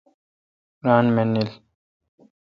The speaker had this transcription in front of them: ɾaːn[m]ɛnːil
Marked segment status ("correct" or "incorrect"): correct